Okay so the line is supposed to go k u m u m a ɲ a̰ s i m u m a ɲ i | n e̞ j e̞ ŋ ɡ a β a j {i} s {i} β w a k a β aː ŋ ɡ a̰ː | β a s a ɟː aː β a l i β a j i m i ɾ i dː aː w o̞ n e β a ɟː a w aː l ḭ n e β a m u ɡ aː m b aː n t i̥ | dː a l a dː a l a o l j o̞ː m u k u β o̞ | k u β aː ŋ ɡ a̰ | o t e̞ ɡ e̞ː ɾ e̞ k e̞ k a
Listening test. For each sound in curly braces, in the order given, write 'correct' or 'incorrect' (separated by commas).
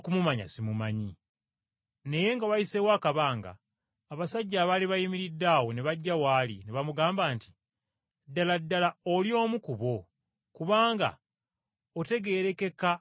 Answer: correct, incorrect